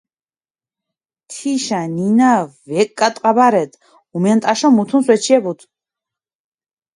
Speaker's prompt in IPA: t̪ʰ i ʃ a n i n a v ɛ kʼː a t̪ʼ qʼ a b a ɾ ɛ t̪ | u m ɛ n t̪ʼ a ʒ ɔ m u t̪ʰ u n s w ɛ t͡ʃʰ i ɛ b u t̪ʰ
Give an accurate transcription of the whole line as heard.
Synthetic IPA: t̪ʰ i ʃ a n i n a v ɛ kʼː a t̪ʼ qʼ a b a ɾ ɛ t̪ | u m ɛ n t̪ʼ a ʃ ɔ m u t̪ʰ u n s w ɛ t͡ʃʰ i ɛ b u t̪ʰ